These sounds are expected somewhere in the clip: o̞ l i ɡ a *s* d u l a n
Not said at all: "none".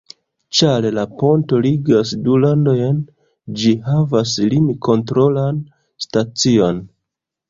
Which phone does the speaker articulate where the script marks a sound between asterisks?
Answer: s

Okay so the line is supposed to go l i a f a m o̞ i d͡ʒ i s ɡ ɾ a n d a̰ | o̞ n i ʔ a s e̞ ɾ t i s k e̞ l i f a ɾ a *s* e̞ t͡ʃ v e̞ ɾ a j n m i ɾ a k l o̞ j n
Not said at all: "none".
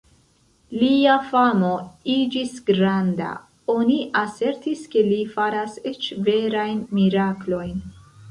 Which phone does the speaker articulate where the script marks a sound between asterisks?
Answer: s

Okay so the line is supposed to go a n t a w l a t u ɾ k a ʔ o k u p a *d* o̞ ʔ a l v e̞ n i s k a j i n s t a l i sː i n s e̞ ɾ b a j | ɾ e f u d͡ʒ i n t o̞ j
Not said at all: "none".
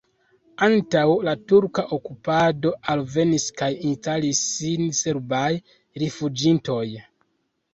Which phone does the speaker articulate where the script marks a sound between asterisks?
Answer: d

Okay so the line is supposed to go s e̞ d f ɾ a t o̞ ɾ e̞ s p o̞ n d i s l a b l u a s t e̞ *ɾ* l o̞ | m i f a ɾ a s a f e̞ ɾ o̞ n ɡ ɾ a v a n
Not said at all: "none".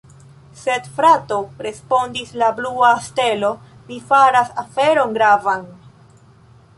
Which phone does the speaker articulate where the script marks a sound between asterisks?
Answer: none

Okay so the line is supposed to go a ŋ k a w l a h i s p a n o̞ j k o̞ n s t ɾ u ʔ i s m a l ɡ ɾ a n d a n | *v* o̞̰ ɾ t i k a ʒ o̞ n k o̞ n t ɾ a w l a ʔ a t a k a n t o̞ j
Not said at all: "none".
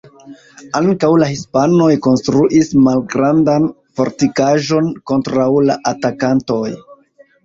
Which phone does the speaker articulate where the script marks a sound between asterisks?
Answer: f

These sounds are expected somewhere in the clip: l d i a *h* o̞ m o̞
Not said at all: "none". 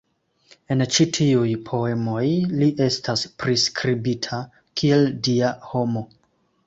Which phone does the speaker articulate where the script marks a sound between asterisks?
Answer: h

